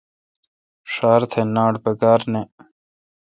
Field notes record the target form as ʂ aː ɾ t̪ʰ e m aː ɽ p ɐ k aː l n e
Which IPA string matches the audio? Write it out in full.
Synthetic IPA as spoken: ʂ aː ɾ t̪ʰ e n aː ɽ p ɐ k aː ɾ n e